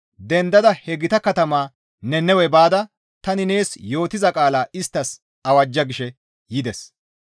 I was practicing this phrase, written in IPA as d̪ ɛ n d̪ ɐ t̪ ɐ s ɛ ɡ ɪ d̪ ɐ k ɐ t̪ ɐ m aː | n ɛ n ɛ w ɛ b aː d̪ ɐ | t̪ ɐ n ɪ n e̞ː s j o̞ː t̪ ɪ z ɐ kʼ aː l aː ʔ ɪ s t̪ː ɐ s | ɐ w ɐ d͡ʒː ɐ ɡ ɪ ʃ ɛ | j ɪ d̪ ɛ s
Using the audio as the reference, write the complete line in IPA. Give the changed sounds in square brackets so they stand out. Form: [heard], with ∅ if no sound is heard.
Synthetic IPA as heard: d̪ ɛ n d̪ ɐ [d̪] ɐ [h] ɛ ɡ ɪ [t̪] ɐ k ɐ t̪ ɐ m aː | n ɛ n ɛ w ɛ b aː d̪ ɐ | t̪ ɐ n ɪ n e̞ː s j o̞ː t̪ ɪ z ɐ kʼ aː l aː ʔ ɪ s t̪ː ɐ s | ɐ w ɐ d͡ʒː ɐ ɡ ɪ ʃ ɛ | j ɪ d̪ ɛ s